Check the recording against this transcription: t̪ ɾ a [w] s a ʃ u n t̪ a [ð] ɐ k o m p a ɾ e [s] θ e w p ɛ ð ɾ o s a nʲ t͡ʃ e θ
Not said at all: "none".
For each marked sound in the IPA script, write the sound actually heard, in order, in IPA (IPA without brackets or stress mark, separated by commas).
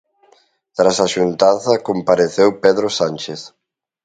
none, θ, none